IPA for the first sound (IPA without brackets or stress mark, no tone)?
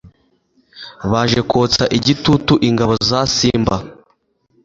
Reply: β